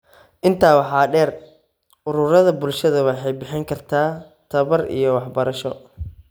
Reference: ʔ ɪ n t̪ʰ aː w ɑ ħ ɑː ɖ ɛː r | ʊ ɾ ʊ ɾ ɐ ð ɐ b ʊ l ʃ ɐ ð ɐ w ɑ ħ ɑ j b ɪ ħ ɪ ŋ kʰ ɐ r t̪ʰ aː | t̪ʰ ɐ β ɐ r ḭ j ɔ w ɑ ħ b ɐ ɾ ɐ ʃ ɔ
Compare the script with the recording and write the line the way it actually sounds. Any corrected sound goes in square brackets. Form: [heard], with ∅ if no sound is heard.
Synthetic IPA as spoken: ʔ ɪ n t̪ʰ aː w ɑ ħ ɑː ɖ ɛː r | ʊ ɾ ʊ ɾ ɐ ð ɐ b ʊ l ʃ ɐ ð ɐ w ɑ ħ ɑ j b ɪ ħ ɪ ŋ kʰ ɐ r t̪ʰ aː | t̪ʰ ɐ β ɐ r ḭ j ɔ w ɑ ħ b ɐ ɾ ɐ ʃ ɔ